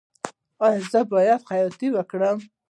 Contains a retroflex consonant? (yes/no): yes